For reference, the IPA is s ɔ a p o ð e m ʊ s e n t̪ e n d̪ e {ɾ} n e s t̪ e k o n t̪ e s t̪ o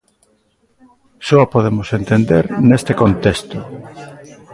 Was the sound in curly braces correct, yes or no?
yes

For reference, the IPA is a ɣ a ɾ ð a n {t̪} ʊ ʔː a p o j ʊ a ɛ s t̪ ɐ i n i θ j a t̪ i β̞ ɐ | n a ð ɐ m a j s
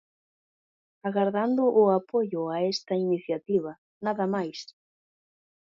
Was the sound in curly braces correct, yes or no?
no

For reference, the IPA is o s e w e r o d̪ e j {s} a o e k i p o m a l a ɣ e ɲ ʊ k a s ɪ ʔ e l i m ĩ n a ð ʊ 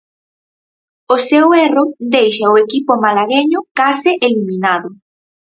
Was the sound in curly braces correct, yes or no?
no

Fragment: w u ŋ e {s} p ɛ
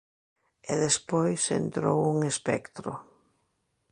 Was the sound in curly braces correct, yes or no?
yes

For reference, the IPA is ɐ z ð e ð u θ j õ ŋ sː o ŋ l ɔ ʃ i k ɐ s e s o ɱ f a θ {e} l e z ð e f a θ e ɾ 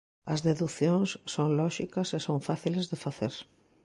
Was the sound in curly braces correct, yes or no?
no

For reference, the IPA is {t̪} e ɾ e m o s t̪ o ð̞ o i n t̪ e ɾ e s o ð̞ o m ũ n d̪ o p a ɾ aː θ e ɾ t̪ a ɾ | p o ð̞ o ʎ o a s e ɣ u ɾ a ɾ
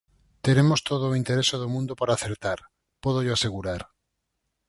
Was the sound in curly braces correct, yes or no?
yes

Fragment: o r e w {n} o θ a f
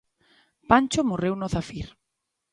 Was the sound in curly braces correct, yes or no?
yes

